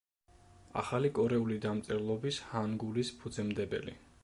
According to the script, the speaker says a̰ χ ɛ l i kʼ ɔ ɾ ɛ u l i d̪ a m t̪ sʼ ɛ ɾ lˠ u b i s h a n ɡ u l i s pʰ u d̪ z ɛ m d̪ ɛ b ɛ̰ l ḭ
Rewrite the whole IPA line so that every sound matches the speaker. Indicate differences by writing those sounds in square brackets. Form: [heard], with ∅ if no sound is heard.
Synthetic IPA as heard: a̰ χ [a] l i kʼ ɔ ɾ ɛ u l i d̪ a m t̪ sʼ ɛ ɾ lˠ [ɔ] b i s h a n ɡ u l i s pʰ u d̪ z ɛ m d̪ ɛ b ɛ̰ l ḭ